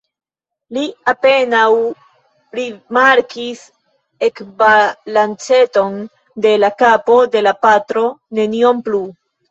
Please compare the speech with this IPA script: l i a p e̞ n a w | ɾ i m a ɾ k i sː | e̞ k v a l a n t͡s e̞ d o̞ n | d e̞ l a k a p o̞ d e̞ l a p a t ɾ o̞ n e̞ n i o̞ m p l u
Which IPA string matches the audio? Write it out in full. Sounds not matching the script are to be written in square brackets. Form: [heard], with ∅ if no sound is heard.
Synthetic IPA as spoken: l i a p e̞ n a w | ɾ i m a ɾ k i [s] | e̞ k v a l a n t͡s e̞ [t] o̞ n | d e̞ l a k a p o̞ d e̞ l a p a t ɾ o̞ n e̞ n i o̞ m p l u